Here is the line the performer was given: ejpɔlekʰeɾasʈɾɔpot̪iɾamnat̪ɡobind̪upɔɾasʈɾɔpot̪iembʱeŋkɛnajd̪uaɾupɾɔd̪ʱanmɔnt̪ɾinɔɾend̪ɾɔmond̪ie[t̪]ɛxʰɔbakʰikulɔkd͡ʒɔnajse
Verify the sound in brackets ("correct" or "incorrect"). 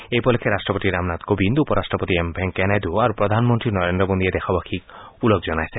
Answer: incorrect